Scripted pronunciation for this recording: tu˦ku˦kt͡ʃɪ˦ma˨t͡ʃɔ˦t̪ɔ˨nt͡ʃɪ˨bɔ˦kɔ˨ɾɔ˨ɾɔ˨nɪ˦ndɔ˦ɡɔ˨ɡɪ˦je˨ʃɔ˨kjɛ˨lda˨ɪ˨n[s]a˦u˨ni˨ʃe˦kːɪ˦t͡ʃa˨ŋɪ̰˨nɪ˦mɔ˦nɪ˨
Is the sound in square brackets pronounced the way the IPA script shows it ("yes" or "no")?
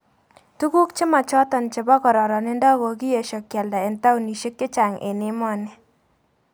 no